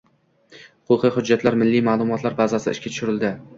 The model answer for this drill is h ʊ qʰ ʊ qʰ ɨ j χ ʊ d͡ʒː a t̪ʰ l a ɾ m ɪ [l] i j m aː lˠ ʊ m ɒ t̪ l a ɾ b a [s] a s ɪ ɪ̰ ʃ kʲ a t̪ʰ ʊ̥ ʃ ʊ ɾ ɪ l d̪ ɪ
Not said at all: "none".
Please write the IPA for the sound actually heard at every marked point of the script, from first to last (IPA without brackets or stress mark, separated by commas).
lː, z